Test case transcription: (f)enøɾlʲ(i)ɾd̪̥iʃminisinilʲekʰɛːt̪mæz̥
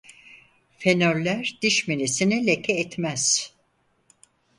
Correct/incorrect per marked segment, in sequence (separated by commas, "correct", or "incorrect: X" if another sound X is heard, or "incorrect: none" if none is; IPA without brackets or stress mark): correct, incorrect: æ